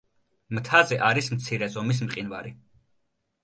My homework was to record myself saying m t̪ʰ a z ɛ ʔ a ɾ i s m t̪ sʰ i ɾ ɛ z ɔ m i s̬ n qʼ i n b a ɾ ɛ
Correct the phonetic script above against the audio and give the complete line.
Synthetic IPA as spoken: m t̪ʰ a z ɛ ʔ a ɾ i s m t̪ sʰ i ɾ ɛ z ɔ m i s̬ m qʼ i n v a ɾ i